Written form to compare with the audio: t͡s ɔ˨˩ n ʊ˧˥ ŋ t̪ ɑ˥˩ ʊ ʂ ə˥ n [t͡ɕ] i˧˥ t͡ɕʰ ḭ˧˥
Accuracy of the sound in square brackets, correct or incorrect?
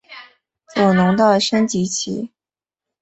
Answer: correct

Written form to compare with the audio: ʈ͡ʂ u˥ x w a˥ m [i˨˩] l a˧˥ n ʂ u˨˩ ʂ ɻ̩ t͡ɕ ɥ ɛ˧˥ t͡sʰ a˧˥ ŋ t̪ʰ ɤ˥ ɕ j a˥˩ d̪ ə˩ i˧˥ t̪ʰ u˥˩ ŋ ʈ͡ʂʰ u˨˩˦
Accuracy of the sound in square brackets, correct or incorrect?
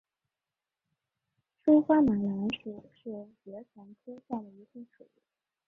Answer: incorrect: a˨˩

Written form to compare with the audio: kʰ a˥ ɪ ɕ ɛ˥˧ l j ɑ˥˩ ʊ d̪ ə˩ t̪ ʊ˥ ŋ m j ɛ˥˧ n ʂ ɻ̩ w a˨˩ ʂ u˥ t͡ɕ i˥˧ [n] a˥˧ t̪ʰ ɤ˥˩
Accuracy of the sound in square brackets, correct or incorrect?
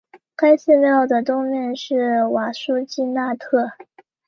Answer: correct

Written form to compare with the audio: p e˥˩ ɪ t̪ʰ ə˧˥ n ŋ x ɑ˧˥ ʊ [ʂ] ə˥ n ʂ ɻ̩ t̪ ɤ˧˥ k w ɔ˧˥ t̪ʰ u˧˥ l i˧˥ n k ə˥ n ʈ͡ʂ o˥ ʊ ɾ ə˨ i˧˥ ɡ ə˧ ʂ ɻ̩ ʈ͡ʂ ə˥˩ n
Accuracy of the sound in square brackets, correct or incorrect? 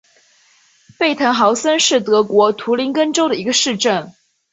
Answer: incorrect: s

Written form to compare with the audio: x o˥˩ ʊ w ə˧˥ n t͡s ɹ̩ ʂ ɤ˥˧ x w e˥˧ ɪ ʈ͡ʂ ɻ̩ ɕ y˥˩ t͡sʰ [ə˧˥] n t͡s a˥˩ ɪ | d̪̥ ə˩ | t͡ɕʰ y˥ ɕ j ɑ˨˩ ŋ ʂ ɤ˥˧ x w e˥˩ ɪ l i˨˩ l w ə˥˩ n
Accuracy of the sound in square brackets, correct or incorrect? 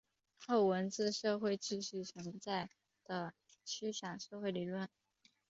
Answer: correct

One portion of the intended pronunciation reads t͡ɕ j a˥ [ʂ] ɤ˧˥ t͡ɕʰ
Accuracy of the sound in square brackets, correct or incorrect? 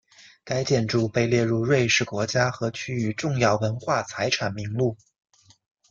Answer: incorrect: x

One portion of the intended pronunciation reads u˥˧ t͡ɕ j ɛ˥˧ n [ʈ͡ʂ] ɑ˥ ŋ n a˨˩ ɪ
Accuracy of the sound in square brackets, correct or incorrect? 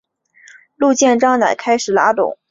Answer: correct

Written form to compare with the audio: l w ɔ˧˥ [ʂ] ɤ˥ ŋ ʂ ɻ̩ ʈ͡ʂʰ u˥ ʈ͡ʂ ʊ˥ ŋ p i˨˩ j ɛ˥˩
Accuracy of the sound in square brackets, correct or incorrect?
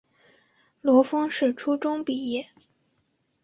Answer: incorrect: f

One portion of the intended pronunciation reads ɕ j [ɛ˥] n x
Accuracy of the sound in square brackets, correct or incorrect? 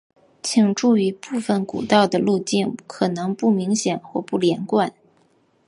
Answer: incorrect: ɛ˨˩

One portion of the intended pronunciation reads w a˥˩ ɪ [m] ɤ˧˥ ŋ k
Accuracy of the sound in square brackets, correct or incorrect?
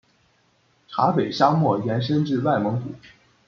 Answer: correct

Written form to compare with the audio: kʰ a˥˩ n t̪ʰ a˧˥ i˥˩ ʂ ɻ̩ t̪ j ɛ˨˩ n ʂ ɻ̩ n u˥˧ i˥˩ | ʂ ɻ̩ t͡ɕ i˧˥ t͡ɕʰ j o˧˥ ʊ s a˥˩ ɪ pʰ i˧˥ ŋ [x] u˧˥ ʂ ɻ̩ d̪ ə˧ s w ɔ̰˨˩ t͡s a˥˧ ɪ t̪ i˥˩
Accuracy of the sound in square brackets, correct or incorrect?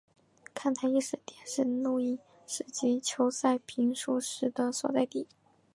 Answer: incorrect: ʂ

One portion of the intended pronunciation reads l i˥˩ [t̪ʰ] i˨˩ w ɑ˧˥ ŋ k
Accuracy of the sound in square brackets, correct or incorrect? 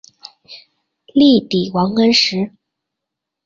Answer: incorrect: t̪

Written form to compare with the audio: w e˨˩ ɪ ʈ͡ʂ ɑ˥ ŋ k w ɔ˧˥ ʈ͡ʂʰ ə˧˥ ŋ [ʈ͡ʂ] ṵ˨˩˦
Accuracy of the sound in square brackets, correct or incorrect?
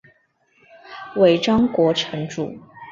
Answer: correct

